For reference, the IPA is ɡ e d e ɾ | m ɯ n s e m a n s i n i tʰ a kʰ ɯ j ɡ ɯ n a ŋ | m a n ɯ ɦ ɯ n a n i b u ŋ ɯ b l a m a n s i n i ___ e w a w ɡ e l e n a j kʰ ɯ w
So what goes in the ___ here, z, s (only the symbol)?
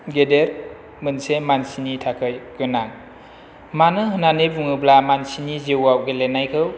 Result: z